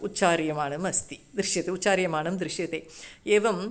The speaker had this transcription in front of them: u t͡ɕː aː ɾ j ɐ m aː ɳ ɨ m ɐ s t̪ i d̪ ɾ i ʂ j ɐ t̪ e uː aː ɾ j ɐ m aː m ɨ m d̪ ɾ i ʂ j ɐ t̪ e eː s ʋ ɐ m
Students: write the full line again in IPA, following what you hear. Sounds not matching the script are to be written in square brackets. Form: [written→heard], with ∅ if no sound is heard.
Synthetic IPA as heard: u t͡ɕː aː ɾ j ɐ m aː ɳ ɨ m ɐ s t̪ i d̪ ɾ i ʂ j ɐ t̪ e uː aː ɾ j ɐ m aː [m→ɳ] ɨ m d̪ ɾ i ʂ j ɐ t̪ e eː [s→∅] ʋ ɐ m